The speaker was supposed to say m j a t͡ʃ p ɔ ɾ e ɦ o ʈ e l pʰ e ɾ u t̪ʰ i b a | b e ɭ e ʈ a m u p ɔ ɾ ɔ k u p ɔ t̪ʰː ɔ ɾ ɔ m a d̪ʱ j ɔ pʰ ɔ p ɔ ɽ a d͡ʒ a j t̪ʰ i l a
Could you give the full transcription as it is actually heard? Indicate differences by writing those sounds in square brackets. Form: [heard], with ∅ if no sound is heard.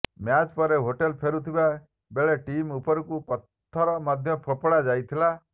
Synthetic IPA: m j a t͡ʃ p ɔ ɾ e ɦ o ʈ e l pʰ e ɾ u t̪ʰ i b a | b e ɭ e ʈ [i] m u p ɔ ɾ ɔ k u p ɔ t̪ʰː ɔ ɾ ɔ m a d̪ʱ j ɔ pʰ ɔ p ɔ ɽ a d͡ʒ a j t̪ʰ i l a